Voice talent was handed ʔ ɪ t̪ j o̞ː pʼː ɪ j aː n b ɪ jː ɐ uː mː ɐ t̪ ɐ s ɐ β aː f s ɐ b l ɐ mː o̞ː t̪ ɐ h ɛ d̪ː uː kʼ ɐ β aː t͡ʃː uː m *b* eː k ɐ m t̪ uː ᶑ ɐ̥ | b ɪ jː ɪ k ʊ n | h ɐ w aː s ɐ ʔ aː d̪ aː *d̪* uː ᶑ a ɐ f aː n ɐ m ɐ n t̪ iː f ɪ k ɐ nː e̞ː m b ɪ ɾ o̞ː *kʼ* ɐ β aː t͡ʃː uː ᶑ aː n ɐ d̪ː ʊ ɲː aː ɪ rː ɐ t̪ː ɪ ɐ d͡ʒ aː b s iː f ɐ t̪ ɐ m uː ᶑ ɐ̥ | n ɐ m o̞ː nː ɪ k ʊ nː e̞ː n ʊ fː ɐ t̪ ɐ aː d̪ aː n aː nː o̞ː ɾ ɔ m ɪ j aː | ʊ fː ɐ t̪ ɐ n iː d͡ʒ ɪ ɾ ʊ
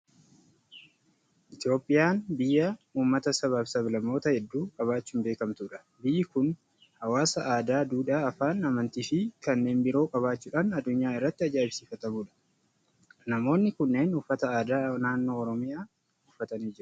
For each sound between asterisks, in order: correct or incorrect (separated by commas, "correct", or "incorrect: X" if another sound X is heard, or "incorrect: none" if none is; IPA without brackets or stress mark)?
correct, correct, correct